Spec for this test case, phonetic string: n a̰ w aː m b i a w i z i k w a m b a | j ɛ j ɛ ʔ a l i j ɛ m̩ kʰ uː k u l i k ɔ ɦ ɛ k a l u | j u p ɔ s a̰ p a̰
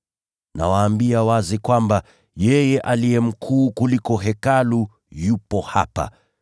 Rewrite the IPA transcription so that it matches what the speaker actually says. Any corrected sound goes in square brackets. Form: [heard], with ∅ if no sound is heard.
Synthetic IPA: n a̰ w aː m b i a w [a] z i k w a m b a | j ɛ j ɛ ʔ a l i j ɛ m̩ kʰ uː k u l i k ɔ ɦ ɛ k a l u | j u p ɔ [h] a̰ p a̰